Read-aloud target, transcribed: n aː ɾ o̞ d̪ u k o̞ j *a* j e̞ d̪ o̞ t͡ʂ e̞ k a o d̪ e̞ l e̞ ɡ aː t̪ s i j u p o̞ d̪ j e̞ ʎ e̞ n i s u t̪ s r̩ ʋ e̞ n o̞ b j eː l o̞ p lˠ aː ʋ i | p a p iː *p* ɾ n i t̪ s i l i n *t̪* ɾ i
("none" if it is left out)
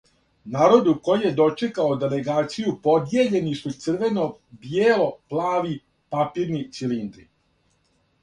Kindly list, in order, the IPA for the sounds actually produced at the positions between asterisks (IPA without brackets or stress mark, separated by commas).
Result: i, none, d̪